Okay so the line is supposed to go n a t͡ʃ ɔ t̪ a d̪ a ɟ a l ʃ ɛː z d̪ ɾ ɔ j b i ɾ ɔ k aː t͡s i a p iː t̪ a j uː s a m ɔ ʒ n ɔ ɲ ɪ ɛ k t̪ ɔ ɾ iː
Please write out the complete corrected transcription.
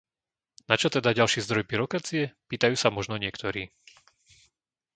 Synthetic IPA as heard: n a t͡ʃ ɔ t̪ ɛ d̪ a ɟ a l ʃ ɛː z d̪ ɾ ɔ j b i ɾ ɔ k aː t͡s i ɛ p iː t̪ a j uː s a m ɔ ʒ n ɔ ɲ ɪ ɛ k t̪ ɔ ɾ iː